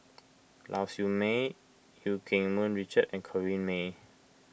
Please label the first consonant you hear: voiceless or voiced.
voiced